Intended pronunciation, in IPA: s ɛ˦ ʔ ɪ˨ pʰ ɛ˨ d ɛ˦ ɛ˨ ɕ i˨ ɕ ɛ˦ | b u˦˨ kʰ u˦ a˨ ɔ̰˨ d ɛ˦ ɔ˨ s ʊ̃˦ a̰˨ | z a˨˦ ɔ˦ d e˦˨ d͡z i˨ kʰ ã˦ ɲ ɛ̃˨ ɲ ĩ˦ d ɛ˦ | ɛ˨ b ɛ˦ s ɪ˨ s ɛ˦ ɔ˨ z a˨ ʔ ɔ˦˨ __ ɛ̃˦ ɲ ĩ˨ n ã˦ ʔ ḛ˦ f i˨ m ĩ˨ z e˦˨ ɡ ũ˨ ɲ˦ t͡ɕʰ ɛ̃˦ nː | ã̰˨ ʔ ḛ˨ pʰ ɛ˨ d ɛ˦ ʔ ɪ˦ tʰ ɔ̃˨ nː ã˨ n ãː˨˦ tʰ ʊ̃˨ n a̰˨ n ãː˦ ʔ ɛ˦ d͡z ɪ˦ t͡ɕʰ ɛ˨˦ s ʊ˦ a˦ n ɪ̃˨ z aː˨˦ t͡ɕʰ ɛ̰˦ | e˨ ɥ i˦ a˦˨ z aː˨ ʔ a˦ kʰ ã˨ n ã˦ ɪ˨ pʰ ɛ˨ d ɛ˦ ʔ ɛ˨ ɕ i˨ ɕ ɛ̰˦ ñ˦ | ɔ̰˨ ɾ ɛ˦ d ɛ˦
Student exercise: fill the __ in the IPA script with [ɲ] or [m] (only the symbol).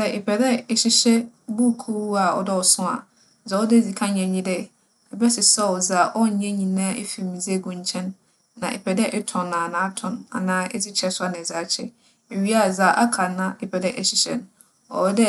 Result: ɲ